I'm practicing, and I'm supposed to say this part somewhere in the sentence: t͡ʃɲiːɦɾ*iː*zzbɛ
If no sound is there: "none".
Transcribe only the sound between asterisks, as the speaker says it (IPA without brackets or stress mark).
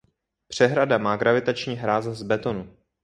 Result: aː